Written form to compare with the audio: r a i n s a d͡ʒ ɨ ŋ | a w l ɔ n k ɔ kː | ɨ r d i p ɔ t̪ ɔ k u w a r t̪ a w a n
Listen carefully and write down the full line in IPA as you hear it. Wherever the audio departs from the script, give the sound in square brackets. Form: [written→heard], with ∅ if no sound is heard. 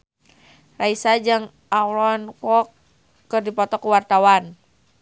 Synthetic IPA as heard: r a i [n→∅] s a d͡ʒ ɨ ŋ | a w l ɔ n k ɔ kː | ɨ r d i p ɔ t̪ ɔ k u w a r t̪ a w a n

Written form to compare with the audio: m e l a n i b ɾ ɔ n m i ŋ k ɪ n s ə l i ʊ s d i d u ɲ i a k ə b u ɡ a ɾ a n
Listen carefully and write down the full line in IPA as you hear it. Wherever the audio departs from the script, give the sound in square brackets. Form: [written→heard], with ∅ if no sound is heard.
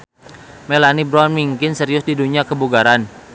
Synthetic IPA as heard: m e l a n i b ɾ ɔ n m i ŋ k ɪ n s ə [l→ɾ] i ʊ s d i d u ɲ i a k ə b u ɡ a ɾ a n

